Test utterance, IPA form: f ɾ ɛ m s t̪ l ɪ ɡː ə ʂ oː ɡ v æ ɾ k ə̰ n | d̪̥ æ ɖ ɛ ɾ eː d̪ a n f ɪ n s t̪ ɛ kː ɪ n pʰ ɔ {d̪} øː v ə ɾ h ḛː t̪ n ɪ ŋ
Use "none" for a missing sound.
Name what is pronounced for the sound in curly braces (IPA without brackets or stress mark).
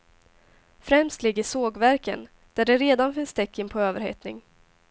none